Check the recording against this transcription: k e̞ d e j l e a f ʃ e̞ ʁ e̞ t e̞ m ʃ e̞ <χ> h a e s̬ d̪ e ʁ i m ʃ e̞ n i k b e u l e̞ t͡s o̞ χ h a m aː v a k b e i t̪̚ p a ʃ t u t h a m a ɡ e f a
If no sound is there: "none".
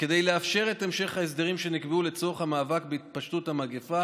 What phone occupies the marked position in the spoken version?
χ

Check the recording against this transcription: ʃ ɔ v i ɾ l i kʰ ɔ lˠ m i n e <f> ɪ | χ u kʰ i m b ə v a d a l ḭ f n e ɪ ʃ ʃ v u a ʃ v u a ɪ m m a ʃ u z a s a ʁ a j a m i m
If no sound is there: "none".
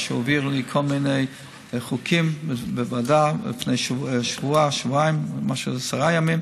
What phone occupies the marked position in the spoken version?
none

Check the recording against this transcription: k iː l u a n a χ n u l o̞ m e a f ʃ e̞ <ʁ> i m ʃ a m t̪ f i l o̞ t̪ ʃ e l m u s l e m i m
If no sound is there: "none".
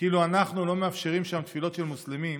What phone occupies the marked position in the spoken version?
ʁ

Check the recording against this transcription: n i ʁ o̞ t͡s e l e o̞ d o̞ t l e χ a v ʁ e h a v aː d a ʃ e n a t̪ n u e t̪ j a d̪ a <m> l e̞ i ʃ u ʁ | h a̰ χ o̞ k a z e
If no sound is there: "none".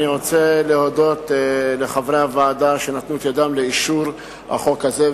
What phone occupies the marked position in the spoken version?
m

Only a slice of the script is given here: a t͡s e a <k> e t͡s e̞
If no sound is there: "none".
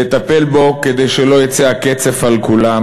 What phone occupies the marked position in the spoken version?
k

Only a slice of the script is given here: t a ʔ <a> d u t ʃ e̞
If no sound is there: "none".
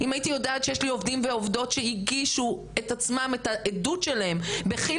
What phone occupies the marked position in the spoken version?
e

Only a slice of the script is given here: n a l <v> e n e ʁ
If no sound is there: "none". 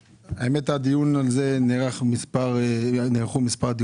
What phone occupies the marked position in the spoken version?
z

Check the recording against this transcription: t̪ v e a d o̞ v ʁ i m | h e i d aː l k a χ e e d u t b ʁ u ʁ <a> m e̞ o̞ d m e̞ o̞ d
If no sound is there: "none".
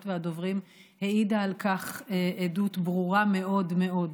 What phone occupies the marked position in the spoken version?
a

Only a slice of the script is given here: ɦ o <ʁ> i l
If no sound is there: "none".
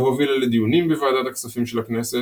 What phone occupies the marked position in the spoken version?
v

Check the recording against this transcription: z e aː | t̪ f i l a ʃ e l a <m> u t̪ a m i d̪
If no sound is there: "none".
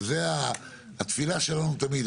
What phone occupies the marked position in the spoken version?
n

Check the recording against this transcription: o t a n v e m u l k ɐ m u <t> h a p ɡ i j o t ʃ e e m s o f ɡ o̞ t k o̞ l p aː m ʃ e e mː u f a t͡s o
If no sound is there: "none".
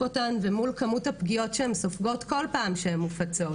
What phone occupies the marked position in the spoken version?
t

